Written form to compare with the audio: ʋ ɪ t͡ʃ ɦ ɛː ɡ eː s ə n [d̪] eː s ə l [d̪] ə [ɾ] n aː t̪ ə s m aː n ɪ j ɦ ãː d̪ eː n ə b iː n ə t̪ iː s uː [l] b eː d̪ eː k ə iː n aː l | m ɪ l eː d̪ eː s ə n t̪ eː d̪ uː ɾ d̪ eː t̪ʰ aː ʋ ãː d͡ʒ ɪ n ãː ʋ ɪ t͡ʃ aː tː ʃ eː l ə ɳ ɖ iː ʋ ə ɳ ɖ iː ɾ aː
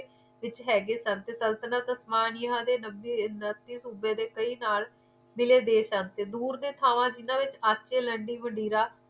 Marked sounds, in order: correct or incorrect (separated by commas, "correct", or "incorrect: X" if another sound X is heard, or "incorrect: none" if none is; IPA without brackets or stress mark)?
incorrect: t̪, incorrect: t̪, incorrect: none, incorrect: none